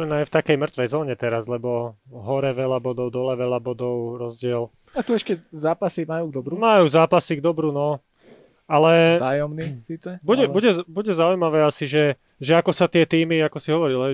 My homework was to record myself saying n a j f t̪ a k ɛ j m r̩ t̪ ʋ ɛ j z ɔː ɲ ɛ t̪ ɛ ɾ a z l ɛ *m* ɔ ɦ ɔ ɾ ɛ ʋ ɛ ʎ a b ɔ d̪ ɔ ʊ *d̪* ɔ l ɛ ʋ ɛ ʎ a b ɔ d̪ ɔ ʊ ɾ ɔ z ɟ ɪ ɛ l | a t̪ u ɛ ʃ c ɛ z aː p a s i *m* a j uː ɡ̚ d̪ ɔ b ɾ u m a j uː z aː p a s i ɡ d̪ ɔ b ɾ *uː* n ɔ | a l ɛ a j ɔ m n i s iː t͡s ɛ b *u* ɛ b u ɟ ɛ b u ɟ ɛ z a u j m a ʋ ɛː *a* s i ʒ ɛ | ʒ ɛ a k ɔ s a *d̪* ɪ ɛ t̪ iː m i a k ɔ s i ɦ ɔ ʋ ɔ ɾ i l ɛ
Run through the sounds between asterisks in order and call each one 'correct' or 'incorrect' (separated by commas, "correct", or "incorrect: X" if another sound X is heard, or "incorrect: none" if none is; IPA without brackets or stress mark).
incorrect: b, correct, correct, incorrect: u, correct, correct, incorrect: t̪